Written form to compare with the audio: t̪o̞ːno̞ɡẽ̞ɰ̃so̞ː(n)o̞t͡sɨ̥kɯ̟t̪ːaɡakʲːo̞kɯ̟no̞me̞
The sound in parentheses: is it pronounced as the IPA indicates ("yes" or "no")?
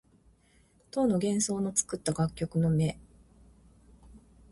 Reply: yes